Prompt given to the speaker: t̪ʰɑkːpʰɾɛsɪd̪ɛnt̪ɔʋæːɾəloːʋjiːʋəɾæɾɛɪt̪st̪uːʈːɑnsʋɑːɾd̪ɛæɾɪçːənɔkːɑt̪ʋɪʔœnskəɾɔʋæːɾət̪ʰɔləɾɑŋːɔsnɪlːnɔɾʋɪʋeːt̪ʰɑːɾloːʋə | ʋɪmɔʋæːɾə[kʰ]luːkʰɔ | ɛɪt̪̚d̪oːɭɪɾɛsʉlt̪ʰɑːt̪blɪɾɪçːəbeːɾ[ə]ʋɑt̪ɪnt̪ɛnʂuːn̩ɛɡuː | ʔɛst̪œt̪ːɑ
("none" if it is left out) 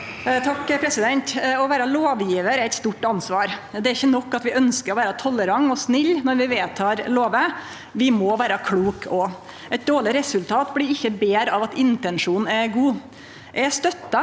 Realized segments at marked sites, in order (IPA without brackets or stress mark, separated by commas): kʰ, ɑ